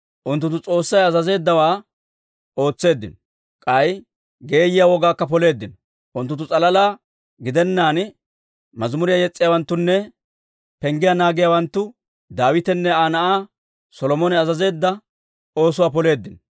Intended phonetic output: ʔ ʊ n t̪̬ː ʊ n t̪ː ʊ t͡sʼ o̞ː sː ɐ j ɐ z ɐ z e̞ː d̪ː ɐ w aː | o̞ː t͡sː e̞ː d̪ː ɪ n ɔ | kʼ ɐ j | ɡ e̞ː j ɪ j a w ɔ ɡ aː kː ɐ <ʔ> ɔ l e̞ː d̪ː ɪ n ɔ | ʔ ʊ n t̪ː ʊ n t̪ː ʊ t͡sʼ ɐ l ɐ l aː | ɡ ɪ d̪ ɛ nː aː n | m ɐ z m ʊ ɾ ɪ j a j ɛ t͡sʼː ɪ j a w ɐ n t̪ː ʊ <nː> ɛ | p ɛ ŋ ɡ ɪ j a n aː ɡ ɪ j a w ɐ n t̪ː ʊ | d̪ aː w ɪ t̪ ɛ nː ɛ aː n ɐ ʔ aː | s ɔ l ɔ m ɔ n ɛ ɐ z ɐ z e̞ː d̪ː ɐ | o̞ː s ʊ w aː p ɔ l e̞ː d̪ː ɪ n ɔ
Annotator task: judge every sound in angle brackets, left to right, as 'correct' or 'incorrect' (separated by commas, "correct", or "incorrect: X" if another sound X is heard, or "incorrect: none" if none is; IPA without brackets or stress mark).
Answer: incorrect: p, correct